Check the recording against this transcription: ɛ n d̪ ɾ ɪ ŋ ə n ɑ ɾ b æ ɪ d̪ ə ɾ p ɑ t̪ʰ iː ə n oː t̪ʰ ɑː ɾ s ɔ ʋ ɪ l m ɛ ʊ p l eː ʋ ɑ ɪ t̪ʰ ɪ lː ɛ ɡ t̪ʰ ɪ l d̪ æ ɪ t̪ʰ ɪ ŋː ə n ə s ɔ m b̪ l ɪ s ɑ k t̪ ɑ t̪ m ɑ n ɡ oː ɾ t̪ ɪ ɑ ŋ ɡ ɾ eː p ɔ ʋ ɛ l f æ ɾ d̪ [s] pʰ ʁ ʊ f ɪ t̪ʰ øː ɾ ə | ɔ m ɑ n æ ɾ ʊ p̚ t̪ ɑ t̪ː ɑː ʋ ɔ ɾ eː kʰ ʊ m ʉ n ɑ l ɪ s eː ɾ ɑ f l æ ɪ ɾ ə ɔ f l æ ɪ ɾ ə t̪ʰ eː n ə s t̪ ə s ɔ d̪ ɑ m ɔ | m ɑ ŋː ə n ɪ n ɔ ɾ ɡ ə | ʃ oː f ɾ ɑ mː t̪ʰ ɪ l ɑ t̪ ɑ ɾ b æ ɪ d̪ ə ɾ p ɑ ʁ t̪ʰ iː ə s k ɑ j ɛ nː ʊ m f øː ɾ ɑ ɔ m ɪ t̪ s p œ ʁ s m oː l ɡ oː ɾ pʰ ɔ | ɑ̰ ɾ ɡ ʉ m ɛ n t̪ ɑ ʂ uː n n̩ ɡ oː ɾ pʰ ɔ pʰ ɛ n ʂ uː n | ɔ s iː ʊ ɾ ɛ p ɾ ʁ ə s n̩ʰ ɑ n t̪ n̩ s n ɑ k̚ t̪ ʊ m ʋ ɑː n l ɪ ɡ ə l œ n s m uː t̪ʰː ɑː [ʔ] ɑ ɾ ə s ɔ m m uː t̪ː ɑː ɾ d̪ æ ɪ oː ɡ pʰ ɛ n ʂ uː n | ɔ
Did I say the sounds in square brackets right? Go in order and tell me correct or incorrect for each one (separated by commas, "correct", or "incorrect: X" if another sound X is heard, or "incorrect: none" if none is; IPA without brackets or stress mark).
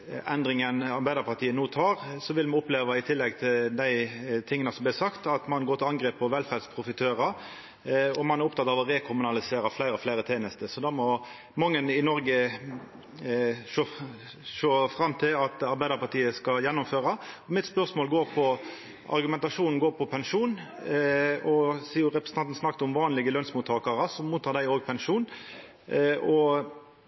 correct, incorrect: k